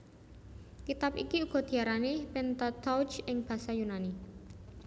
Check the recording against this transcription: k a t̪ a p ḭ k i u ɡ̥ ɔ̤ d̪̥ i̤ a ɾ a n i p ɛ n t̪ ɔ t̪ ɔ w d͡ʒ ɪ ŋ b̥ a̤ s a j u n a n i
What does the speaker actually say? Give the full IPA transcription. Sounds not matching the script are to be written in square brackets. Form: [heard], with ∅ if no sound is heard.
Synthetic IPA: k [i] t̪ a p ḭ k i u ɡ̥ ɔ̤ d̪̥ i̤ a ɾ a n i p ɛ n t̪ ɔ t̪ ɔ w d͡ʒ ɪ ŋ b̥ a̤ s a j u n a n i